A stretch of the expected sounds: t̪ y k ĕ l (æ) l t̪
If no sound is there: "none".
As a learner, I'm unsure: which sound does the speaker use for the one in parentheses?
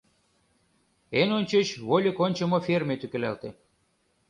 æ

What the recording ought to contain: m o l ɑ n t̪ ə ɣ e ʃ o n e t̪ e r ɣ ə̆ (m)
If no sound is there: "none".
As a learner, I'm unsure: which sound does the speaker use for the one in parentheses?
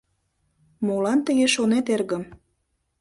m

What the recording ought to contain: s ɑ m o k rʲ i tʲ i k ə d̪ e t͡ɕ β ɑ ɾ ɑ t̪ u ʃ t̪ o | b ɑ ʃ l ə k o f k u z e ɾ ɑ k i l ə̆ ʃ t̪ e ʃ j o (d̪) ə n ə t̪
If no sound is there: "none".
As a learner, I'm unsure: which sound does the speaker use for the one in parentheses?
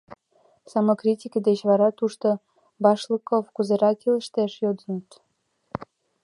d̪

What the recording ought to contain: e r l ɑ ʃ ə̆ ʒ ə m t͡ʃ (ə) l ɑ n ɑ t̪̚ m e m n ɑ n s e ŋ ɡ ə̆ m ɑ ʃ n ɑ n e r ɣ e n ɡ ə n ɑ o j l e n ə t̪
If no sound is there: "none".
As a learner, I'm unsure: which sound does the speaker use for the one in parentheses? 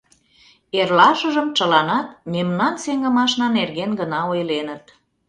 ə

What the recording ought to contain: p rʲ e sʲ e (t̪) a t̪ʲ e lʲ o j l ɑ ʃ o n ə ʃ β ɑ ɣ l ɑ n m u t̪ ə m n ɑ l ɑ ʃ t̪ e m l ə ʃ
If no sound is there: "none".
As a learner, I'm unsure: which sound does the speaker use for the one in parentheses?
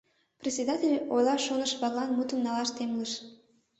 d̪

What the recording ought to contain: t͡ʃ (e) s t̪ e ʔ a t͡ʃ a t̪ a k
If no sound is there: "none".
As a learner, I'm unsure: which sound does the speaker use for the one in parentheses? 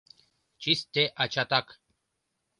i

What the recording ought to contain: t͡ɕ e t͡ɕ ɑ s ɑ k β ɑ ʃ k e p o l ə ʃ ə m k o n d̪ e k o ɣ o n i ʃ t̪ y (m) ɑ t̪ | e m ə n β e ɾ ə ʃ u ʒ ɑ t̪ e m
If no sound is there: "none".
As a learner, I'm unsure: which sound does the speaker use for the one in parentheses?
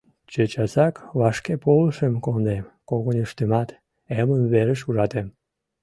m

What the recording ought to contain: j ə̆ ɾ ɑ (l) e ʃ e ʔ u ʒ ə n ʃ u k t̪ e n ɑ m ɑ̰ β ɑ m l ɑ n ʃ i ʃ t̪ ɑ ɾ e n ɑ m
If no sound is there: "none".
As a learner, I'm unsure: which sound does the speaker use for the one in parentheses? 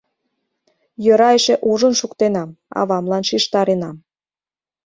none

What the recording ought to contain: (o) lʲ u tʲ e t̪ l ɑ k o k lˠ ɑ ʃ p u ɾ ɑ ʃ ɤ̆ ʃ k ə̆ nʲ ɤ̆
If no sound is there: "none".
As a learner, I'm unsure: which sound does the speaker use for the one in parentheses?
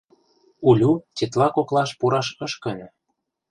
u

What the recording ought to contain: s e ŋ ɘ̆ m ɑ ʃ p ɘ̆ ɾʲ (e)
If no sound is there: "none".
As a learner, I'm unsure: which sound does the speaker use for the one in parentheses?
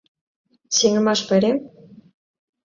e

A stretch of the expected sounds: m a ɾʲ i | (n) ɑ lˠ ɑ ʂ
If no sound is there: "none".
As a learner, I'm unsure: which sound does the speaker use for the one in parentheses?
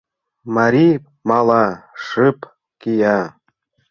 m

